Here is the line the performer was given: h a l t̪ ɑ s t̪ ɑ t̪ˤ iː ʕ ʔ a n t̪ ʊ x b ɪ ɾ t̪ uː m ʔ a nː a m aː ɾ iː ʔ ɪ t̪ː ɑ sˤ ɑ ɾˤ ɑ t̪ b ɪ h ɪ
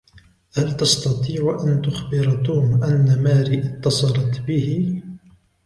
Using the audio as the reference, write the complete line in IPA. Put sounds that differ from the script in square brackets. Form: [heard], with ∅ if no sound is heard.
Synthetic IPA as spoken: h a l t̪ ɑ s t̪ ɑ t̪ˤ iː ʕ ʔ a n t̪ ʊ x b ɪ ɾ t̪ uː m ʔ a nː a m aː ɾ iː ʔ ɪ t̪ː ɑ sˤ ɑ ɾˤ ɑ t̪ b ɪ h ɪ